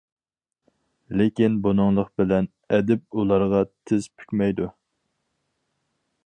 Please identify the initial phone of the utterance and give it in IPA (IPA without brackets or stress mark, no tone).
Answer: l